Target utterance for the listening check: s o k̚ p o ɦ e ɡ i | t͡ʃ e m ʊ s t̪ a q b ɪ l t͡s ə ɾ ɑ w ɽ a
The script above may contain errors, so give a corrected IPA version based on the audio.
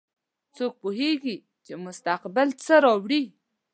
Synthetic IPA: t͡s o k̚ p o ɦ e ɡ i | t͡ʃ e m ʊ s t̪ a q b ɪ l t͡s ə ɾ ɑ w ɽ i